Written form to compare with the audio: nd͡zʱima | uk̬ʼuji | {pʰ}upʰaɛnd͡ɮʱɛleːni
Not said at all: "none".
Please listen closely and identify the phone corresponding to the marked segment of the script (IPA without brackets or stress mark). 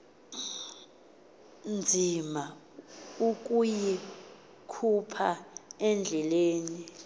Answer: kʰ